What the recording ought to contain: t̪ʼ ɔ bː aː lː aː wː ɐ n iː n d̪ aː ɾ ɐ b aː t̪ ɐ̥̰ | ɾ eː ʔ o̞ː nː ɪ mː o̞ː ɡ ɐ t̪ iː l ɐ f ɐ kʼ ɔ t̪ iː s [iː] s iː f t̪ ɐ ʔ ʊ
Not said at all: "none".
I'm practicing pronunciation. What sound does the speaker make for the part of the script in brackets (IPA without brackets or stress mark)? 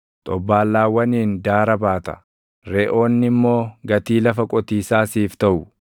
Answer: aː